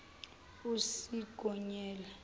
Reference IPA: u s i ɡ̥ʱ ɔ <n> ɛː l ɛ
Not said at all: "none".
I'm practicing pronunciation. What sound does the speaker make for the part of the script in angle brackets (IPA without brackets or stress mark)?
ɲ